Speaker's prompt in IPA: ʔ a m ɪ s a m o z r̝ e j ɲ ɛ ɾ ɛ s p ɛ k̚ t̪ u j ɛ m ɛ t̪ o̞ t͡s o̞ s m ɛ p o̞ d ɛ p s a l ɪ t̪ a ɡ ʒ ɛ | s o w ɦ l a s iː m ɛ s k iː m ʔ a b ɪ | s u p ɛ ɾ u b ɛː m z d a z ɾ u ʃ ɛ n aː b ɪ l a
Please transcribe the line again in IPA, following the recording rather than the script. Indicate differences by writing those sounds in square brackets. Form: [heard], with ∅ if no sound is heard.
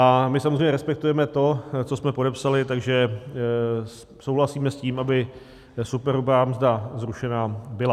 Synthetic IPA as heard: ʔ a m ɪ s a m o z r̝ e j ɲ ɛ ɾ ɛ s p ɛ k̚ t̪ u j ɛ m ɛ t̪ o̞ t͡s o̞ s m ɛ p o̞ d ɛ p s a l ɪ t̪ a ɡ ʒ ɛ | s o w ɦ l a s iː m ɛ s [c] iː m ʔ a b ɪ | s u p ɛ ɾ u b [aː] m z d a z ɾ u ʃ ɛ n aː b ɪ l a